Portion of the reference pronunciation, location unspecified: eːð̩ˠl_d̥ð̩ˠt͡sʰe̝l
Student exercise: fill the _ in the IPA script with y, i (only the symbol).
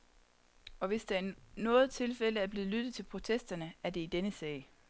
y